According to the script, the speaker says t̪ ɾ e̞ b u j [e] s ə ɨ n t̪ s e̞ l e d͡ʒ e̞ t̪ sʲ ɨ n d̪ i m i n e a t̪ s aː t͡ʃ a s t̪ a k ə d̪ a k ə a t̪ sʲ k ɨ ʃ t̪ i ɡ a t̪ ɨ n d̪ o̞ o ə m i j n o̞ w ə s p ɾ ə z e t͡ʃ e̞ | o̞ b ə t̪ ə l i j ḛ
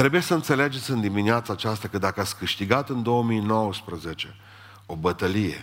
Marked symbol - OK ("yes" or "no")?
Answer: yes